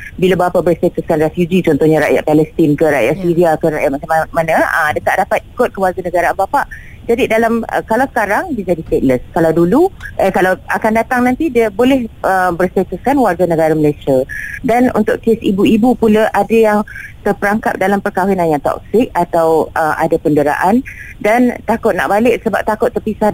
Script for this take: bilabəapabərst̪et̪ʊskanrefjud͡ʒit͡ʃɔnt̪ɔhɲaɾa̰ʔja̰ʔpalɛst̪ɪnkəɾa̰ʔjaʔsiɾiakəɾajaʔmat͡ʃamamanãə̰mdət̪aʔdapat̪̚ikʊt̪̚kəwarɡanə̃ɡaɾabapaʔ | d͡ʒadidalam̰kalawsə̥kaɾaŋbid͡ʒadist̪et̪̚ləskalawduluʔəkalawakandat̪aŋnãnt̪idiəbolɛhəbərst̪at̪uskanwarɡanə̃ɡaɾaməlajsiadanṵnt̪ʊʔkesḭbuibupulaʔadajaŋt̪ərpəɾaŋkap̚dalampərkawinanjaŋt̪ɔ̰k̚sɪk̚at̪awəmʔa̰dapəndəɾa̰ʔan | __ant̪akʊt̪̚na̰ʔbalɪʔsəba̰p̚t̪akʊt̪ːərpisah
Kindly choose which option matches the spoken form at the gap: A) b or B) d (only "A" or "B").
B